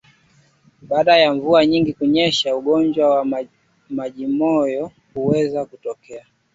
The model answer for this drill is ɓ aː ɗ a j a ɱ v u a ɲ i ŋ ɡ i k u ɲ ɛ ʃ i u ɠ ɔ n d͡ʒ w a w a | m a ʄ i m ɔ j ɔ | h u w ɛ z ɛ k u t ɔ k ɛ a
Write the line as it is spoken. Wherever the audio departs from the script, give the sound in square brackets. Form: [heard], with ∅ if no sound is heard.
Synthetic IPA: ɓ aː ɗ a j a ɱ v u a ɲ i ŋ ɡ i k u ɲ ɛ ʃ [a] u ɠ ɔ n d͡ʒ w a w a | m a ʄ i m ɔ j ɔ | h u w ɛ z [a] k u t ɔ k ɛ a